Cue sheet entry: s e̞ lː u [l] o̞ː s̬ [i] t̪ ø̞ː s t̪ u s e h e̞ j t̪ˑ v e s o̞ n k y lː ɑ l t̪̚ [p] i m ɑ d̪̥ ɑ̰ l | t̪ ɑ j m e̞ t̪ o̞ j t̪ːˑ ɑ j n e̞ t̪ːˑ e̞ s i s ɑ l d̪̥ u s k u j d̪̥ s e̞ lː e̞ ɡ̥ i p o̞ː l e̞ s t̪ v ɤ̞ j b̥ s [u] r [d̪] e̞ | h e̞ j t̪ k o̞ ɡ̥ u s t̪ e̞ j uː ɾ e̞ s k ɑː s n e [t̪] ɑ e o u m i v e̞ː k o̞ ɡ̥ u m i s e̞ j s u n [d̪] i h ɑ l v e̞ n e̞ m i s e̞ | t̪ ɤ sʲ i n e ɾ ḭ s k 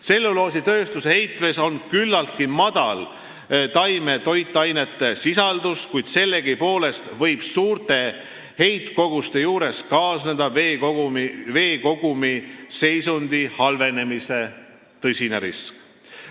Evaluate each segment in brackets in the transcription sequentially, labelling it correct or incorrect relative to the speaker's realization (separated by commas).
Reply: correct, correct, incorrect, incorrect, incorrect, incorrect, correct